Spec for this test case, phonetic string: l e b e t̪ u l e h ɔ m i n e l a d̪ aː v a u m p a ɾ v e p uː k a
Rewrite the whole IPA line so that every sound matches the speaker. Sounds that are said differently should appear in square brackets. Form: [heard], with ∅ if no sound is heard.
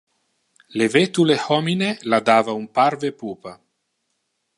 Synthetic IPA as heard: l e [v] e t̪ u l e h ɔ m i n e l a d̪ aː v a u m p a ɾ v e p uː [p] a